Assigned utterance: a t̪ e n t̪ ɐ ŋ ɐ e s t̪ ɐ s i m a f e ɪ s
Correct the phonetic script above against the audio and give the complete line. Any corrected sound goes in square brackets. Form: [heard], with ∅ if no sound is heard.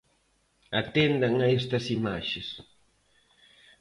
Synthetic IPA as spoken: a t̪ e n [d̪] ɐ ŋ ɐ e s t̪ ɐ s i m a [ʃ] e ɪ s